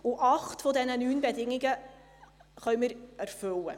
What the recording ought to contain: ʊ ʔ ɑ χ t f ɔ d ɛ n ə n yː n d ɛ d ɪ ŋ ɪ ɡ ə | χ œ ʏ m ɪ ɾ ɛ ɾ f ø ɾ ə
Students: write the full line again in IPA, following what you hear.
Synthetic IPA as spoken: ʊ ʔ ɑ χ t f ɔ d ɛ n ə n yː n b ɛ d ɪ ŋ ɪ ɡ ə | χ œ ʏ m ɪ ɾ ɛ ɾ f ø l ə